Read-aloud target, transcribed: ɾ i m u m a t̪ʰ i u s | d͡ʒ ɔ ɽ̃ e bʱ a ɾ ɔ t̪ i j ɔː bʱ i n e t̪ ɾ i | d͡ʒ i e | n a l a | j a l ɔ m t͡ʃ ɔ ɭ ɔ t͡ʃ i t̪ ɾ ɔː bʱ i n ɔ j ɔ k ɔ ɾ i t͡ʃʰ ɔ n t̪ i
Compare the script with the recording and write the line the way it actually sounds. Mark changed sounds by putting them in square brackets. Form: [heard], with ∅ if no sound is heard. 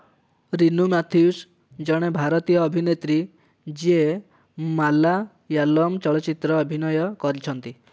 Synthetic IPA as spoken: ɾ i [n] u m a t̪ʰ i u s | d͡ʒ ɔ ɽ̃ e bʱ a ɾ ɔ t̪ i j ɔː bʱ i n e t̪ ɾ i | d͡ʒ i e | [m] a l a | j a l ɔ m t͡ʃ ɔ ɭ ɔ t͡ʃ i t̪ ɾ ɔː bʱ i n ɔ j ɔ k ɔ ɾ i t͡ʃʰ ɔ n t̪ i

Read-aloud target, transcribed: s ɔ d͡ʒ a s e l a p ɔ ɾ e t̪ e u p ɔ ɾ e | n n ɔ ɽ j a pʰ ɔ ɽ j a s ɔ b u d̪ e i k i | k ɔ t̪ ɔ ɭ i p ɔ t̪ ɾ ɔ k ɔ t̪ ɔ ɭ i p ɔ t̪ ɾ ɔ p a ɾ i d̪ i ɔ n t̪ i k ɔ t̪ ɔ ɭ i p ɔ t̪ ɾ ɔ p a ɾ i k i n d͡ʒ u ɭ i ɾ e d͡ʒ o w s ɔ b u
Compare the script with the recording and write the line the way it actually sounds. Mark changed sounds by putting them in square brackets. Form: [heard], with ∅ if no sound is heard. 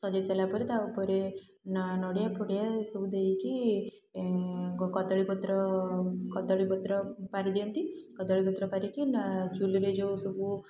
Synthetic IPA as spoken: s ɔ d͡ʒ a s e l a p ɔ ɾ e t̪ [a] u p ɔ ɾ e | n n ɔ ɽ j a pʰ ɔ ɽ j a s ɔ b u d̪ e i k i | k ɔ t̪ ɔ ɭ i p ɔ t̪ ɾ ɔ k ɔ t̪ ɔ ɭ i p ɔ t̪ ɾ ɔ p a ɾ i d̪ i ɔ n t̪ i k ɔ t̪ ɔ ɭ i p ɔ t̪ ɾ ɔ p a ɾ i k i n d͡ʒ u [l] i ɾ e d͡ʒ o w s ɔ b u

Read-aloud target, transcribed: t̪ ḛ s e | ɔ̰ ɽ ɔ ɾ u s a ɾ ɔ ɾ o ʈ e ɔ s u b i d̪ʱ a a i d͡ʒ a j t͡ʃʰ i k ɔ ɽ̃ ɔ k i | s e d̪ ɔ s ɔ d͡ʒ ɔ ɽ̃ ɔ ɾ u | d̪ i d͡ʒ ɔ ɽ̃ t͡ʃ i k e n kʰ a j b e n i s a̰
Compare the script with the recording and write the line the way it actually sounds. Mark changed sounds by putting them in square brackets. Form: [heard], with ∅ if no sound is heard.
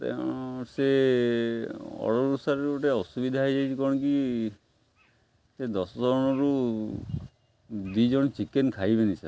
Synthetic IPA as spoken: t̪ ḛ s e | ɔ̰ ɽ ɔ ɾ u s a ɾ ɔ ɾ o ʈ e ɔ s u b i d̪ʱ a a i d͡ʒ a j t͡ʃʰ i k ɔ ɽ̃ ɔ k i | s e d̪ ɔ s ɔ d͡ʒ ɔ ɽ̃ ɔ ɾ u | d̪ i d͡ʒ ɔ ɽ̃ t͡ʃ i k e n kʰ a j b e n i s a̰

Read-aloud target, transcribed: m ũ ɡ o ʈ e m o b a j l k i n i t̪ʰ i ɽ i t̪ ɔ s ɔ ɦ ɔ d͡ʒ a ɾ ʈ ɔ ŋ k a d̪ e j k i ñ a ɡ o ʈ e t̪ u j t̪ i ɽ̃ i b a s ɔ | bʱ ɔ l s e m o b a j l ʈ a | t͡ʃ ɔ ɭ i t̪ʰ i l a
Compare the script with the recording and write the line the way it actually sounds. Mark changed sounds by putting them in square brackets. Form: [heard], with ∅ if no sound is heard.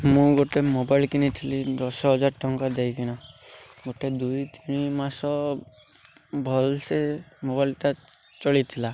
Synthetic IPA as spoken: m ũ ɡ o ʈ e m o b a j l k i n i t̪ʰ i [l] i [d̪] ɔ s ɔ ɦ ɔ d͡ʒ a ɾ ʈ ɔ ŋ k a d̪ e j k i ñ a ɡ o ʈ e [d̪] u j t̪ i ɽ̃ i [m] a s ɔ | bʱ ɔ l s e m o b a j l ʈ a | t͡ʃ ɔ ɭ i t̪ʰ i l a

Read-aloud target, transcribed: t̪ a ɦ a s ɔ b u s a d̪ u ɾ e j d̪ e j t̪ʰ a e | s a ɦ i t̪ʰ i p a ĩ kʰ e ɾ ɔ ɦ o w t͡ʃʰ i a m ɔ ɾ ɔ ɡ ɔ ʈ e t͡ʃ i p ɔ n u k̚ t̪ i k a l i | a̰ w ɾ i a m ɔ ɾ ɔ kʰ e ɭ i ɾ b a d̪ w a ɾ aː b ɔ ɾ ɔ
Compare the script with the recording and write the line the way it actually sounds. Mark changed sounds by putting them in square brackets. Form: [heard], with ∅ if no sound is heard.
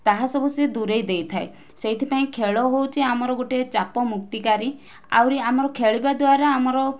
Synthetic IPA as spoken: t̪ a ɦ a s ɔ b u s [e] d̪ u ɾ e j d̪ e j t̪ʰ a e | s [e] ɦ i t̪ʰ i p a ĩ kʰ e [ɭ] ɔ ɦ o w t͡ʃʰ i a m ɔ ɾ ɔ ɡ [o] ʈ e t͡ʃ [a] p ɔ [m] u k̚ t̪ i k a [ɾ] i | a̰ w ɾ i a m ɔ ɾ ɔ kʰ e ɭ i [∅] b a d̪ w a ɾ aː [m] ɔ ɾ ɔ

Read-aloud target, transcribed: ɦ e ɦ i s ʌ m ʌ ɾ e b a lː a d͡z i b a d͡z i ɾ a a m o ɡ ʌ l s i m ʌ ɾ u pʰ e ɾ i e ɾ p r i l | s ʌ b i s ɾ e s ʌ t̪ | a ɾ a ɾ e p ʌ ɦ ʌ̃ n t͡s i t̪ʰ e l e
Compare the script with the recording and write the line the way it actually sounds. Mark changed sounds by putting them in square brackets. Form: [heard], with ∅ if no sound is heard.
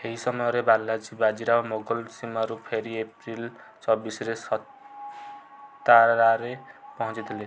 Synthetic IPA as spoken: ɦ e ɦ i s ʌ m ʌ ɾ e b a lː a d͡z i b a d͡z i ɾ a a m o ɡ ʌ l s i m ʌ ɾ u pʰ e ɾ i e [∅] p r i l | [t͡s] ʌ b i s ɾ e s ʌ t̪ | a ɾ a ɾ e p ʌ ɦ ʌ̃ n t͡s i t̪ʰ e l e

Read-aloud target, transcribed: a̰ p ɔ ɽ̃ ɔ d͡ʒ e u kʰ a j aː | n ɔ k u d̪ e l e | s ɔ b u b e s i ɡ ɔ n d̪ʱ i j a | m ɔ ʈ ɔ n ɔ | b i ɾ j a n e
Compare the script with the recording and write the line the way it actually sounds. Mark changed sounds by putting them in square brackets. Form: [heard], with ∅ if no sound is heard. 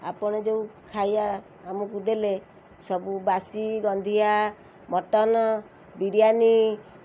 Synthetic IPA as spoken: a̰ p ɔ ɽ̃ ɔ d͡ʒ e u kʰ a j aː | [m] ɔ k u d̪ e l e | s ɔ b u b [a] s i ɡ ɔ n d̪ʱ i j a | m ɔ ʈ ɔ n ɔ | b i ɾ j a n [i]

